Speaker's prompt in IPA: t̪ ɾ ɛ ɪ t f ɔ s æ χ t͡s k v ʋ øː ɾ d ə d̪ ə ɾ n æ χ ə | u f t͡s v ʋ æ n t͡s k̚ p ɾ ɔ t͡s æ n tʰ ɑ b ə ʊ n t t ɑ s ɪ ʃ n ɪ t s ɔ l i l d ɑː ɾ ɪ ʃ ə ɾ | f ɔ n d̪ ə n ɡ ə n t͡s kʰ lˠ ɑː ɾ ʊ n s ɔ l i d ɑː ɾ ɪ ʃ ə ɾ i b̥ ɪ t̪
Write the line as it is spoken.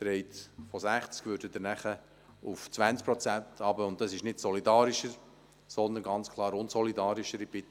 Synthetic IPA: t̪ ɾ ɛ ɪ t f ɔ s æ χ t͡s k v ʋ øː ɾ d ə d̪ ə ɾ n æ χ ə | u f t͡s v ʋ æ n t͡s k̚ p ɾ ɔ t͡s æ n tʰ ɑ b ə ʊ n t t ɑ s ɪ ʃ n ɪ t s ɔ l i d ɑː ɾ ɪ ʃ ə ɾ | s ɔ n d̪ ə n ɡ ɑ n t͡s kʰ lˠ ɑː ɾ ʊ n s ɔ l i d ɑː ɾ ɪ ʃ ə ɾ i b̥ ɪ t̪